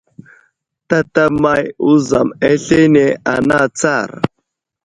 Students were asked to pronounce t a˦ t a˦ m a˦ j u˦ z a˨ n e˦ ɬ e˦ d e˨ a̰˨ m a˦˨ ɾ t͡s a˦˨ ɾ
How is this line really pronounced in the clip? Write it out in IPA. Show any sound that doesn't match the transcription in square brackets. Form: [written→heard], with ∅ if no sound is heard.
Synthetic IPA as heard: t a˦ t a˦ m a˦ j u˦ z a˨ [n→m] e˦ ɬ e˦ [d→n] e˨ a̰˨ [m→n] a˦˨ [ɾ→∅] t͡s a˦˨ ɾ

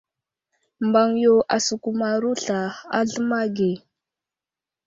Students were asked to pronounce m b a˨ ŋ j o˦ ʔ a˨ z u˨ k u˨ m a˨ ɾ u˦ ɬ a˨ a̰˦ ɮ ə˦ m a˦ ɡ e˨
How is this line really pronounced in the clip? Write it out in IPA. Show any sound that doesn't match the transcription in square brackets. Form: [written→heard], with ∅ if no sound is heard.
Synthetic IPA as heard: m b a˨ ŋ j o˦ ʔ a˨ [z→s] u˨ k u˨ m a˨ ɾ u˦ ɬ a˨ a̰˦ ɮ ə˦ m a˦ ɡ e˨

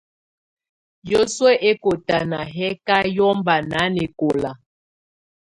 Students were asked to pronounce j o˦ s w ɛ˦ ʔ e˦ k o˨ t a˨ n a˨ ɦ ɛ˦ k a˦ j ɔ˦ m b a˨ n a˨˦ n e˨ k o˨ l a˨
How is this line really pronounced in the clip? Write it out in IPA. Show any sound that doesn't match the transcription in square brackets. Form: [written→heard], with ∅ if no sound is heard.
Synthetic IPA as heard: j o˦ s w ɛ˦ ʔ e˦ k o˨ t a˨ n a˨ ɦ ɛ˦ k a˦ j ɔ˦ m b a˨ n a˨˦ n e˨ k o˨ l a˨

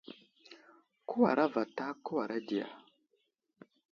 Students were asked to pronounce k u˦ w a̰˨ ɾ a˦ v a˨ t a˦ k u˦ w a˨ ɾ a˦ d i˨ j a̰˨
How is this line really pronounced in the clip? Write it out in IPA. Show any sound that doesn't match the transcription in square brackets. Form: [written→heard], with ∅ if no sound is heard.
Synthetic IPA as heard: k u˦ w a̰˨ ɾ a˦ v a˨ t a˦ k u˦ w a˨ ɾ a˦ d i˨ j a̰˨

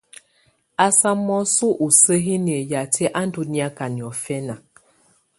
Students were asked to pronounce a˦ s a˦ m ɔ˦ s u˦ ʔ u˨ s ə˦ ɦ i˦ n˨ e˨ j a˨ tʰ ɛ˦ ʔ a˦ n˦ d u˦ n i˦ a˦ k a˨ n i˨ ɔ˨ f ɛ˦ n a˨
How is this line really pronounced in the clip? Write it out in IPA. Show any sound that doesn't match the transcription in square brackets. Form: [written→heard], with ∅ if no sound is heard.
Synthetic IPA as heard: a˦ s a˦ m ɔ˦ s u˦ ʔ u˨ s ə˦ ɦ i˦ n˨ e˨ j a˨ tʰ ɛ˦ ʔ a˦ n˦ d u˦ n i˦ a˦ k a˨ n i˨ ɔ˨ f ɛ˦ n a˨

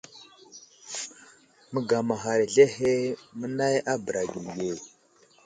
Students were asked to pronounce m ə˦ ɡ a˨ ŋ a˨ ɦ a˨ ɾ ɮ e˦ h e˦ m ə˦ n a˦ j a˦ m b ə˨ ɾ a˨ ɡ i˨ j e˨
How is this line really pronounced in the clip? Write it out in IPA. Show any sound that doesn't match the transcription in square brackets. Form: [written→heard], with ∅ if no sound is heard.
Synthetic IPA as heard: m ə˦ ɡ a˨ [ŋ→m] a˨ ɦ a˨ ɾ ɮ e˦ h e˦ m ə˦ n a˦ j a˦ [m→∅] b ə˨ ɾ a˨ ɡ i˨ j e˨

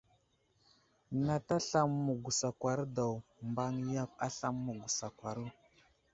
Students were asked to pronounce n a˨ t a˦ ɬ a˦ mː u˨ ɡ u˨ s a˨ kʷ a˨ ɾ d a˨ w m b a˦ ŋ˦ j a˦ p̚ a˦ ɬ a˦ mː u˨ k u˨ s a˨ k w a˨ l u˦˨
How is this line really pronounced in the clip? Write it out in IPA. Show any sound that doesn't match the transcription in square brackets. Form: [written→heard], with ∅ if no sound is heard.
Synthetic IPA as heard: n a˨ t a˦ ɬ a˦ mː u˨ ɡ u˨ s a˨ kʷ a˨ ɾ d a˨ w m b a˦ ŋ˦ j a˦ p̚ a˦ ɬ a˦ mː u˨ [k→ɡ] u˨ s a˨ k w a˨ [l→ɾ] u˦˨

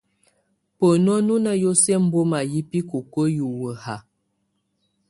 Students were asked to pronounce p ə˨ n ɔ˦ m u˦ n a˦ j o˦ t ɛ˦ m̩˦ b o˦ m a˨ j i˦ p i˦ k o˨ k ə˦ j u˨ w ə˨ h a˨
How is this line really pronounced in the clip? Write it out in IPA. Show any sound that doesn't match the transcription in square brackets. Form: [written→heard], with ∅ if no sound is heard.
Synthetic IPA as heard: p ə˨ n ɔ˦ [m→n] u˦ n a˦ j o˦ [t→s] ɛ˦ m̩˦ b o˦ m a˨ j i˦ p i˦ k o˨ k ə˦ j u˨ w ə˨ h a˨

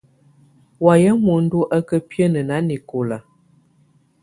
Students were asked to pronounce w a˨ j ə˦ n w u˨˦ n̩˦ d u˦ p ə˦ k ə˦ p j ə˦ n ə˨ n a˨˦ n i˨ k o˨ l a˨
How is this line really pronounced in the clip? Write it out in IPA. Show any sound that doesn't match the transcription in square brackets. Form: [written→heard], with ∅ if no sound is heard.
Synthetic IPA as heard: w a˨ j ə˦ [n→m] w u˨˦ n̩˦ d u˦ [p→ʔ] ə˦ k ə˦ p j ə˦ n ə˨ n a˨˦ n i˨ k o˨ l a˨

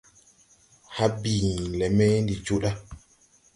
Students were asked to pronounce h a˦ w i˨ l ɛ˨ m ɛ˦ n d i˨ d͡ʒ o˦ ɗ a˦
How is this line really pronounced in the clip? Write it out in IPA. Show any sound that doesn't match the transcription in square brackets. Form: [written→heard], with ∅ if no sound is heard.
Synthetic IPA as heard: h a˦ [w→b] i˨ l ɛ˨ m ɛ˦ n d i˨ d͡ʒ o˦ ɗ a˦

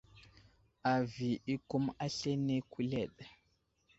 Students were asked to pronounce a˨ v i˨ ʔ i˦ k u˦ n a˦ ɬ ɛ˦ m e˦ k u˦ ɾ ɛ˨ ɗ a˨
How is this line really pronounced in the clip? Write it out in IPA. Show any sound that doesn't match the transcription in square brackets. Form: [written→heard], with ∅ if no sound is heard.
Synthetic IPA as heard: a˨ v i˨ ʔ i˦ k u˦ [n→m] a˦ ɬ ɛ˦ [m→n] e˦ k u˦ [ɾ→l] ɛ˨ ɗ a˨

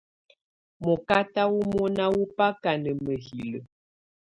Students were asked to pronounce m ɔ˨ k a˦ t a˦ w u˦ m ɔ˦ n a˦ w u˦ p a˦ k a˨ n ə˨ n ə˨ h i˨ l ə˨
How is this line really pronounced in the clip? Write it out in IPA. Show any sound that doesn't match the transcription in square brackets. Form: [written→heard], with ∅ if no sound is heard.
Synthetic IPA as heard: m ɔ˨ k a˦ t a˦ w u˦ m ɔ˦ n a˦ w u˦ p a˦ k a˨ n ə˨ [n→m] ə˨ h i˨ l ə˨

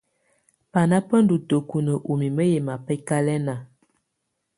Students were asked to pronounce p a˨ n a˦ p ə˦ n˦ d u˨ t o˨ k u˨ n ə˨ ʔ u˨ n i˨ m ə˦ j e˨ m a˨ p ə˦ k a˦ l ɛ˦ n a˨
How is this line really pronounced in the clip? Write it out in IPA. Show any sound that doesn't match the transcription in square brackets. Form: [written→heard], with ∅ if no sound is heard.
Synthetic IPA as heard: p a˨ n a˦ p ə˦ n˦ d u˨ t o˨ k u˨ n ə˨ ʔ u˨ [n→m] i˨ m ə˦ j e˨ m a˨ p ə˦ k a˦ l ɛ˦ n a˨

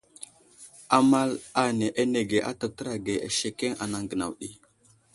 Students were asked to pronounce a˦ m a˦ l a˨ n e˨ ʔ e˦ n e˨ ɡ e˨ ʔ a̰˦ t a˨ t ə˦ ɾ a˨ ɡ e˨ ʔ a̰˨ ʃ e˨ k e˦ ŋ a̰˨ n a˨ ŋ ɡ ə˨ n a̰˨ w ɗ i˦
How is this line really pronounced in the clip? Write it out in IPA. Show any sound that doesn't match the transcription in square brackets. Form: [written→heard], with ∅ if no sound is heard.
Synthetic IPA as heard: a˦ m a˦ l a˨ n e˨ ʔ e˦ n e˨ ɡ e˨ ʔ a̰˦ t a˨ t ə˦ ɾ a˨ ɡ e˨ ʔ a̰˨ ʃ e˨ k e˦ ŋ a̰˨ n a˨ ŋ ɡ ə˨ n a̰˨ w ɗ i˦

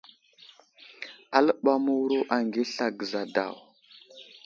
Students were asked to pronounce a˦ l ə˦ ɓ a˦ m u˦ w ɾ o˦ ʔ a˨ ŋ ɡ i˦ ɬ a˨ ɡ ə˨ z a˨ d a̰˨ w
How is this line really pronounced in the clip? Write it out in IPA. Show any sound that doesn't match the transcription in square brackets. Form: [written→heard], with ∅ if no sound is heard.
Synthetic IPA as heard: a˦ l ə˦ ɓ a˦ m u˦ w ɾ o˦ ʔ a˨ ŋ ɡ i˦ ɬ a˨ ɡ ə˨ z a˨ d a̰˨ w

